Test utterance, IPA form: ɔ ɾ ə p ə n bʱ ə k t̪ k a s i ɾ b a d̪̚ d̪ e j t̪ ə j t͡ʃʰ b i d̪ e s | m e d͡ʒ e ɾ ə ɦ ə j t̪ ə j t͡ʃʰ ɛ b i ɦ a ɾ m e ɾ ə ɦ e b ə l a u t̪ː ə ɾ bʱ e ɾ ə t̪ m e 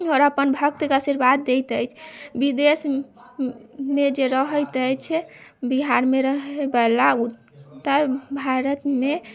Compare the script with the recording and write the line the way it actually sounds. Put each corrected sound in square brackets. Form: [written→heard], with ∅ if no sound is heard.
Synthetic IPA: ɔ ɾ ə p ə n bʱ ə k t̪ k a s i ɾ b a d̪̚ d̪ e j t̪ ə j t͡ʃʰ b i d̪ e s | m e d͡ʒ e ɾ ə ɦ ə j t̪ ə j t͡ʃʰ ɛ b i ɦ a ɾ m e ɾ ə ɦ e b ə l a u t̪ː ə ɾ bʱ [e→a] ɾ ə t̪ m e